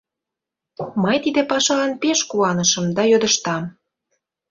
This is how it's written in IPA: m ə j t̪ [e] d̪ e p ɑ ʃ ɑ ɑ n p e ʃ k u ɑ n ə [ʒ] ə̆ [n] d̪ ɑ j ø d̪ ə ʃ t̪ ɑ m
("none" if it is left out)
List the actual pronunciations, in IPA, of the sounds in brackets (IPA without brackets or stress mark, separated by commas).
i, ʃ, m